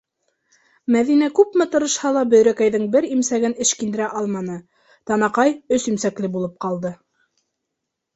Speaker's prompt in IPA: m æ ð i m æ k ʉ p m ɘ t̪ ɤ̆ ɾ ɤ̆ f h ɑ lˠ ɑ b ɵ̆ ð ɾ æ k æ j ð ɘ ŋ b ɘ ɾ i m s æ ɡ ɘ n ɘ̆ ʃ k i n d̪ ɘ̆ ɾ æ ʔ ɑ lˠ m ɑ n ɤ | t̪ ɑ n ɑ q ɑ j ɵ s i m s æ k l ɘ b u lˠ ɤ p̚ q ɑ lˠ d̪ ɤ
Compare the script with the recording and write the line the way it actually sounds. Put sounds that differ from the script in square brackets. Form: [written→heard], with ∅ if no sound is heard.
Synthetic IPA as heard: m æ ð i [m→n] æ k ʉ p m ɘ t̪ ɤ̆ ɾ ɤ̆ [f→ʃ] h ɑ lˠ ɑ b ɵ̆ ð ɾ æ k æ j ð ɘ ŋ b ɘ ɾ i m s æ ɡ ɘ n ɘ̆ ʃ k i n d̪ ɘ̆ ɾ æ ʔ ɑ lˠ m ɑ n ɤ | t̪ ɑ n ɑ q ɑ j ɵ s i m s æ k l ɘ b u lˠ ɤ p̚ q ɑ lˠ d̪ ɤ